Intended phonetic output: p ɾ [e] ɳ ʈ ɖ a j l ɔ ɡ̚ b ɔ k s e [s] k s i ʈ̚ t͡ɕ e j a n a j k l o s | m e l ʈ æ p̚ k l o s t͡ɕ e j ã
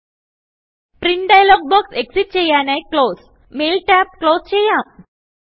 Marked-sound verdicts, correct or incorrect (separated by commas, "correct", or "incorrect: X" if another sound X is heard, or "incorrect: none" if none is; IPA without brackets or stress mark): incorrect: i, incorrect: none